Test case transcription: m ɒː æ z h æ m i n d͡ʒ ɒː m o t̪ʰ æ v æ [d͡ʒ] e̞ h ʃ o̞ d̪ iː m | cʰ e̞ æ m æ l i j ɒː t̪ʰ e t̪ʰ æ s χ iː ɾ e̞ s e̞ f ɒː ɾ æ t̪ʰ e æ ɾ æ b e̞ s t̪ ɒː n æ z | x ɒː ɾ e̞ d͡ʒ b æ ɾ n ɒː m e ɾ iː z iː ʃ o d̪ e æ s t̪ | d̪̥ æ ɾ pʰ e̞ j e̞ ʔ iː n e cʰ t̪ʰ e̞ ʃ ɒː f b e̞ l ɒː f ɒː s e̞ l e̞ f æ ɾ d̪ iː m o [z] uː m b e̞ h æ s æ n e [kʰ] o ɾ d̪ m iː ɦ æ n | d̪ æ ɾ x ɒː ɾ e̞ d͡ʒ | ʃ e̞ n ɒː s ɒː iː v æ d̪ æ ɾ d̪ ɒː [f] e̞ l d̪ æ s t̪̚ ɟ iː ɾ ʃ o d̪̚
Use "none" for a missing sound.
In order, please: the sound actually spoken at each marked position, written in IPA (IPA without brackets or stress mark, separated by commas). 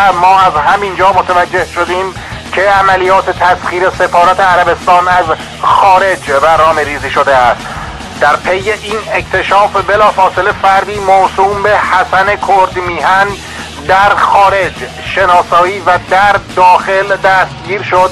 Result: d͡ʒː, s, kʰ, x